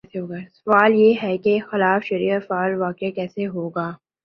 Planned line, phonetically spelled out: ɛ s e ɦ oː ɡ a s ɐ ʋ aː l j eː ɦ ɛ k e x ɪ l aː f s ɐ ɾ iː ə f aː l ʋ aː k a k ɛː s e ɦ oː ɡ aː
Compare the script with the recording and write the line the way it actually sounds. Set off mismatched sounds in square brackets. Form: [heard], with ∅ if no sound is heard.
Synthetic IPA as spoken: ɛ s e ɦ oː ɡ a s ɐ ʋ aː l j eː ɦ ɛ k e x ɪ l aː f [ʃ] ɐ ɾ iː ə f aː l ʋ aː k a k ɛː s e ɦ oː ɡ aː